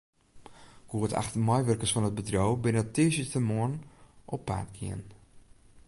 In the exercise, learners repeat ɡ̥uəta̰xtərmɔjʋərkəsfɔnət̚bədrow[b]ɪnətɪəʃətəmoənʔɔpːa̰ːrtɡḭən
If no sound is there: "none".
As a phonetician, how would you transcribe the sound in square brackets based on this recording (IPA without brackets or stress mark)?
b